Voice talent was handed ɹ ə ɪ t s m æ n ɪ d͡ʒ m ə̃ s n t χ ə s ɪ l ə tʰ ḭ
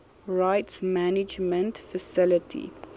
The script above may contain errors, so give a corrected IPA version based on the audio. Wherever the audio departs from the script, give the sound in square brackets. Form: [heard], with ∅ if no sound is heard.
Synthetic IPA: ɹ [a] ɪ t s m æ n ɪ d͡ʒ m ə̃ [∅] n t [f] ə s ɪ l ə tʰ ḭ